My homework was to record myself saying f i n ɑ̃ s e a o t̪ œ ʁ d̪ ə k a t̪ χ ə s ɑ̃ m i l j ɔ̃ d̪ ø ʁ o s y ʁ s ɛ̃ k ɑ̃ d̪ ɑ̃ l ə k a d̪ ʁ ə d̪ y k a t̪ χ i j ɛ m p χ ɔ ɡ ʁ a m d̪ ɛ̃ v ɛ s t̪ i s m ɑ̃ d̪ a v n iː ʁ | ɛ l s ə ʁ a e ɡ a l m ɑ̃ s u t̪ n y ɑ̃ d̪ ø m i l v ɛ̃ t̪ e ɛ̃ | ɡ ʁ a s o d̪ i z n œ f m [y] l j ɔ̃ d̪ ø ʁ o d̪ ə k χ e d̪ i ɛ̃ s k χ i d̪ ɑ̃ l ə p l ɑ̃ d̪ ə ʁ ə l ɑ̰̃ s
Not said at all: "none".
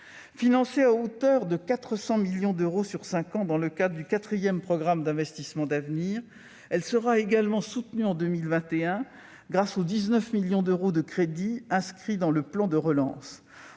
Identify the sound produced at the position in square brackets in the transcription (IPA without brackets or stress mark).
i